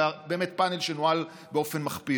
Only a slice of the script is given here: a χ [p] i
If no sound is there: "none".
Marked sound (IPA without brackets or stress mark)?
p